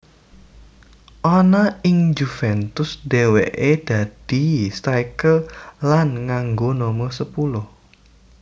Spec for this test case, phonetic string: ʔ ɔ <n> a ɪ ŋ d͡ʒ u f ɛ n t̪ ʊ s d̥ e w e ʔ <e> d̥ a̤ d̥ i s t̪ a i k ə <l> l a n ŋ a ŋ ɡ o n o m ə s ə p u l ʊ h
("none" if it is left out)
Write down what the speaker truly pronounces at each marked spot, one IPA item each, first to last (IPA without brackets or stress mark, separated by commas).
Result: n, e, l